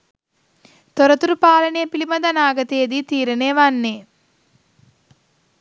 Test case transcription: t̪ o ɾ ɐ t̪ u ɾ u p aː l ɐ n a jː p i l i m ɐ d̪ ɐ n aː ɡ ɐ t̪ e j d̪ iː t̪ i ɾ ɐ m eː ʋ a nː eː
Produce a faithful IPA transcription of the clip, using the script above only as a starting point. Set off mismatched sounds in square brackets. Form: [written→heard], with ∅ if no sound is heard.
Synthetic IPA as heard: t̪ o ɾ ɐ t̪ u ɾ u p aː l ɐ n [a→e] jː p i l i m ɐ d̪ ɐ n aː ɡ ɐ t̪ e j d̪ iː t̪ [i→iː] ɾ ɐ [m→n] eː ʋ a nː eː